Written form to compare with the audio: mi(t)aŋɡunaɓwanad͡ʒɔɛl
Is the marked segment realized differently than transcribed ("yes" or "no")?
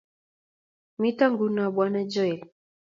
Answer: no